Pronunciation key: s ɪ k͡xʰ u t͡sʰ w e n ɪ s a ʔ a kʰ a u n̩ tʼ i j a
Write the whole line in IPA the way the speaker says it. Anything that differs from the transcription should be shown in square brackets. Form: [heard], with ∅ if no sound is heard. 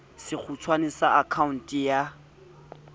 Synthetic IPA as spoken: s ɪ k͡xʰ u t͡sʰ w [a] n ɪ s a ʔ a kʰ a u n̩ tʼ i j a